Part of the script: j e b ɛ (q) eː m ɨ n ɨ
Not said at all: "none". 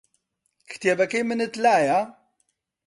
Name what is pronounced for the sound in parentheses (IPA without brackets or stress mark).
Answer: k